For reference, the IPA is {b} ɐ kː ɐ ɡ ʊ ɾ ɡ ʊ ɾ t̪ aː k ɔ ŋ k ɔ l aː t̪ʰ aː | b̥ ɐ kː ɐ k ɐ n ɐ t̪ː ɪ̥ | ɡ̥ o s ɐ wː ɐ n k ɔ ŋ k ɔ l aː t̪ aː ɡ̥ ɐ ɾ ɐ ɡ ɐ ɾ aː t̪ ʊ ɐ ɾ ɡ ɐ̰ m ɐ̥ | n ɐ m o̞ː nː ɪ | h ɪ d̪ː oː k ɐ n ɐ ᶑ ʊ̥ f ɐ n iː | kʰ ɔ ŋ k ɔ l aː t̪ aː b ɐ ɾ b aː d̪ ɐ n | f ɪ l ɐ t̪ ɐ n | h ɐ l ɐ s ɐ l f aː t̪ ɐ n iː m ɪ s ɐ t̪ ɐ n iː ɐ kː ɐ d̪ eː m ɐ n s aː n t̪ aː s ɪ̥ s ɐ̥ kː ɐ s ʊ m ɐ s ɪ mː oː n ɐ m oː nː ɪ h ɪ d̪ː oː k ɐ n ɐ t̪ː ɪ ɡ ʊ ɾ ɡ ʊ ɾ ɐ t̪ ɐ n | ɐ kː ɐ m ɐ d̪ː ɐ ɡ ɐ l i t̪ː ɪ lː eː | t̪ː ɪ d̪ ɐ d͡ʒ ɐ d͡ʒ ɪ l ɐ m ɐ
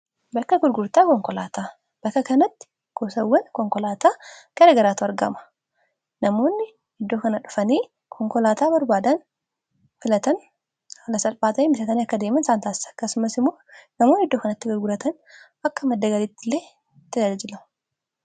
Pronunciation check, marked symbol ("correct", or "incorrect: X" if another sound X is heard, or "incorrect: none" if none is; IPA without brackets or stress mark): correct